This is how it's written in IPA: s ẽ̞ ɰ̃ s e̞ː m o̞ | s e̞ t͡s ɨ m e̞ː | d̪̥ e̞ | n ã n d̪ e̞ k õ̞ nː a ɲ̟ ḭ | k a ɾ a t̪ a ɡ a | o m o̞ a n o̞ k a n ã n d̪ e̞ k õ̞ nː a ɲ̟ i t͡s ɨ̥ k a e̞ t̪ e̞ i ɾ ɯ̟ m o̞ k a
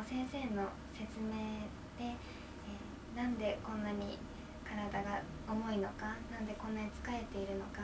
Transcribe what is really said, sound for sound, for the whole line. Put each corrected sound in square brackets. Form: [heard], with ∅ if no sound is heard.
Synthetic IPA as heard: s ẽ̞ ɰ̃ s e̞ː [n] o̞ | s e̞ t͡s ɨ m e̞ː | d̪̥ e̞ | n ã n d̪ e̞ k õ̞ nː a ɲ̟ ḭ | k a ɾ a [d̪] a ɡ a | o m o̞ [i] n o̞ k a n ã n d̪ e̞ k õ̞ nː a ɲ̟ i t͡s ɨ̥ k a e̞ t̪ e̞ i ɾ ɯ̟ [n] o̞ k a

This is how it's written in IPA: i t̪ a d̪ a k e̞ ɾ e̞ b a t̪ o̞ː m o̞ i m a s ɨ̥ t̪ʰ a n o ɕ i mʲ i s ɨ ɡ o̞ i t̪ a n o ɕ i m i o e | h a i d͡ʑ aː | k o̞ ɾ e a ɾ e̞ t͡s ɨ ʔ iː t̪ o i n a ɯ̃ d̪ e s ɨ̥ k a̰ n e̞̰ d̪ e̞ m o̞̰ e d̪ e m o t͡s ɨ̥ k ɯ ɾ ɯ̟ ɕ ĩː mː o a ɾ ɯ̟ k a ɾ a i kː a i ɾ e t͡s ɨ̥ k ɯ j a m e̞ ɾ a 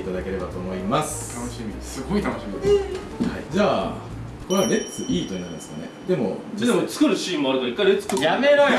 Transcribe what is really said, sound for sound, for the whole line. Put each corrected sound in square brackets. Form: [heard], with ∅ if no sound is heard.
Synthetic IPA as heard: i t̪ a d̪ a k e̞ ɾ e̞ b a t̪ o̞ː m o̞ i m a s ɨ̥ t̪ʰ a n o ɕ i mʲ i s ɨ ɡ o̞ i t̪ a n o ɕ i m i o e | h a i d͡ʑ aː | k o̞ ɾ e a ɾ e̞ t͡s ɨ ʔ iː t̪ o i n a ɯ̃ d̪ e s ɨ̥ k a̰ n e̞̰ d̪ e̞ m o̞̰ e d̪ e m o t͡s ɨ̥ k ɯ ɾ ɯ̟ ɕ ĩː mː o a ɾ ɯ̟ k a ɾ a i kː a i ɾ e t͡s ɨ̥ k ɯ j a m e̞ ɾ a

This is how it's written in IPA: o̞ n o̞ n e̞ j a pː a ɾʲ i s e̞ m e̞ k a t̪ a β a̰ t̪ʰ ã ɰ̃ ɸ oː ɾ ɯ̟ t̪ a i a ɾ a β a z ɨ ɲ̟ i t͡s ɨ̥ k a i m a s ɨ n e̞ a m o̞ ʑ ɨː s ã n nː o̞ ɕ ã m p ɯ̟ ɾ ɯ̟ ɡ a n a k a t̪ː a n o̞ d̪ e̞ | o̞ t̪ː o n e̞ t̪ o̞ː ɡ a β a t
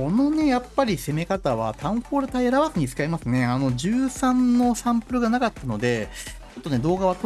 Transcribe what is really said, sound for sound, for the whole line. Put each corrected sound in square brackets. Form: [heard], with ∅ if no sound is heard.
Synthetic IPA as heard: o̞ n o̞ n e̞ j a pː a ɾʲ i s e̞ m e̞ k a t̪ a β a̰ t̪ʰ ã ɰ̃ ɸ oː ɾ ɯ̟ t̪ a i a ɾ a β a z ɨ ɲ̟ i t͡s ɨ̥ k a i m a s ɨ n e̞ a [n] o̞ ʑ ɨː s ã n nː o̞ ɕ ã m p ɯ̟ ɾ ɯ̟ ɡ a n a k a t̪ː a n o̞ d̪ e̞ | o̞ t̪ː o n e̞ [d̪] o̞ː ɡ a β a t

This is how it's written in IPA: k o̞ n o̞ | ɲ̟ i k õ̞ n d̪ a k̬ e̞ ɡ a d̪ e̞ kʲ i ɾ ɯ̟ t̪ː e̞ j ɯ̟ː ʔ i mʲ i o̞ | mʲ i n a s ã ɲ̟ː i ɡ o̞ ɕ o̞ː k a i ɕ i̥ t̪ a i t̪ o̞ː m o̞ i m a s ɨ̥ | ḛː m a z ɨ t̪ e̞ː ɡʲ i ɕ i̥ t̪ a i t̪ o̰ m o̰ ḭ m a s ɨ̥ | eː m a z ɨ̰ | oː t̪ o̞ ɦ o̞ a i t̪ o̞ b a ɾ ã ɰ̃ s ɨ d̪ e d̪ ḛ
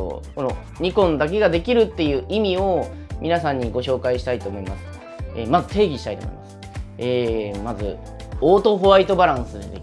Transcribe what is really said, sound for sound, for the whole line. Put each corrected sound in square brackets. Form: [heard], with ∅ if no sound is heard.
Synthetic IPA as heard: k o̞ n o̞ | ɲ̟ i k õ̞ n d̪ a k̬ e̞ ɡ a d̪ e̞ kʲ i ɾ ɯ̟ t̪ː e̞ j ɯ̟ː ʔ i mʲ i o̞ | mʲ i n a s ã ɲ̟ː i ɡ o̞ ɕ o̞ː k a i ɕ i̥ t̪ a i t̪ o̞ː m o̞ i m a s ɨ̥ | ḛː m a z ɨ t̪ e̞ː ɡʲ i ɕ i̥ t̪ a i t̪ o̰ m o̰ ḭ m a s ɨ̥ | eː m a z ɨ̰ | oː t̪ o̞ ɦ o̞ a i t̪ o̞ b a ɾ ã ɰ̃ s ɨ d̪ e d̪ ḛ

